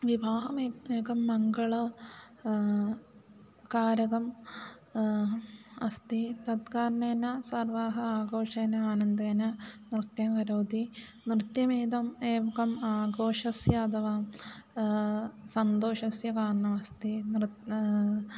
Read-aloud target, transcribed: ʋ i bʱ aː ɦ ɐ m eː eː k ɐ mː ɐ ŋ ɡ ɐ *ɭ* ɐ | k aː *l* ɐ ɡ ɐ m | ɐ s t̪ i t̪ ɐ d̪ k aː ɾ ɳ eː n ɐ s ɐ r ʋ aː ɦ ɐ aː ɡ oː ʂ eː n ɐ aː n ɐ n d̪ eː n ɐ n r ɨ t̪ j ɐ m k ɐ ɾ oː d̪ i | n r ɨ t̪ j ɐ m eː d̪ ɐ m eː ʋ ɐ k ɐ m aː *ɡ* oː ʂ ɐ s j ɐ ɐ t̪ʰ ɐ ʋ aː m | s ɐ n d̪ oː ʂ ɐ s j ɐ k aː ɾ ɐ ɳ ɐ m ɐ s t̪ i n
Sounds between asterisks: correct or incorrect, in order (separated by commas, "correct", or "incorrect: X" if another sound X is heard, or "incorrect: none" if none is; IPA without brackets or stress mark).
correct, incorrect: ɾ, correct